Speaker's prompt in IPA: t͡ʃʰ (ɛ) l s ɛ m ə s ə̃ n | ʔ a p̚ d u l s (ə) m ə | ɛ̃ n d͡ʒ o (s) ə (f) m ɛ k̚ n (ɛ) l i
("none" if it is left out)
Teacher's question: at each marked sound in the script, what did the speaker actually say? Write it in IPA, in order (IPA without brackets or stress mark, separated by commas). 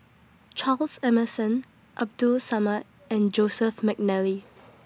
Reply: a, a, s, f, ɛ